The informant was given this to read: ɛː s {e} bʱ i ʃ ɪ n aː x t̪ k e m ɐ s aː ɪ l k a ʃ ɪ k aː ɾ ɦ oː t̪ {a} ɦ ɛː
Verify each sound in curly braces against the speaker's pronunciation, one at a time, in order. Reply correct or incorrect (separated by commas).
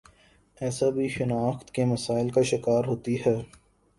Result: incorrect, incorrect